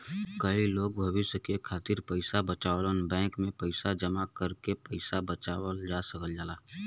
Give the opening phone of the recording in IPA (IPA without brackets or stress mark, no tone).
k